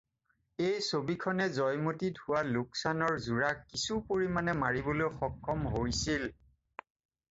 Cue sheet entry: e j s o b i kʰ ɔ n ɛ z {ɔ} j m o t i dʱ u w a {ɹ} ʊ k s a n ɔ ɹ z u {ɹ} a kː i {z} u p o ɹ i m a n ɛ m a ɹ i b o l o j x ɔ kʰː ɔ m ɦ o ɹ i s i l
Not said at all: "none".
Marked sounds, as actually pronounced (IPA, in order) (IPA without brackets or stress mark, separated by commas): ɔ, l, ɹ, s